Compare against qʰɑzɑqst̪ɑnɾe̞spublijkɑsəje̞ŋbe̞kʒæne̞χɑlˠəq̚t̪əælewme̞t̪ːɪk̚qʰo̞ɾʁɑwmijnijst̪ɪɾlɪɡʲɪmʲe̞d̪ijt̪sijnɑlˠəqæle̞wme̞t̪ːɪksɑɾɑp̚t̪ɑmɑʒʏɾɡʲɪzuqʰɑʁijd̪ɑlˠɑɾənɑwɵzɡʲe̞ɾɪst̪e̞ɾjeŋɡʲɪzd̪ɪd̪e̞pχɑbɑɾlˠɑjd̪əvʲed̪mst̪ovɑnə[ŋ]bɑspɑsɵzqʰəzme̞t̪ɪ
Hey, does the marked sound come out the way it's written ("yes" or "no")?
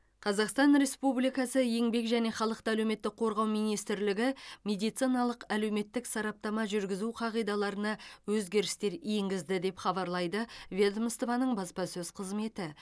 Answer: no